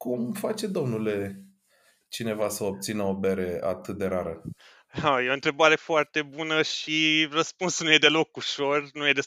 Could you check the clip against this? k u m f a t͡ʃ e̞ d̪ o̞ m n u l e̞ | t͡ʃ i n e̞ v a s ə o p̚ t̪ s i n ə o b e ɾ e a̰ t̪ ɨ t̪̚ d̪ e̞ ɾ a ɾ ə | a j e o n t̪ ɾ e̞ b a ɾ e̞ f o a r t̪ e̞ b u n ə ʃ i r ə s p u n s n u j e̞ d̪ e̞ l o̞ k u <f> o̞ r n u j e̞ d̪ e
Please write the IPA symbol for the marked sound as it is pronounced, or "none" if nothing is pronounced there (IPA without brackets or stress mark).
ʃ